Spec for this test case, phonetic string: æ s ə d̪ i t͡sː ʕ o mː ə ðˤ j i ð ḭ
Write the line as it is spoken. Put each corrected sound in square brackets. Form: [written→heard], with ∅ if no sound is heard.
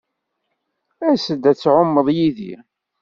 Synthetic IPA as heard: æ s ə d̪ [i→æ] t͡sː ʕ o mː ə ðˤ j i ð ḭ